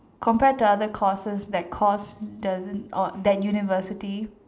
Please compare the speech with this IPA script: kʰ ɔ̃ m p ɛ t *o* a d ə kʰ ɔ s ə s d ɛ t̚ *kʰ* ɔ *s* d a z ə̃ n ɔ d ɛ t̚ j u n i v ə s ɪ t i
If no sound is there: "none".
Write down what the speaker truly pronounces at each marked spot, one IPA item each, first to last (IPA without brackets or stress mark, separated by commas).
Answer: u, kʰ, s